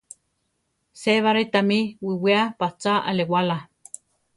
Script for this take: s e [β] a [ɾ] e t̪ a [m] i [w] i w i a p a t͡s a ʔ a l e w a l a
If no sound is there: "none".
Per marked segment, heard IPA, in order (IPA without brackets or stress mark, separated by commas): β, ɾ, m, w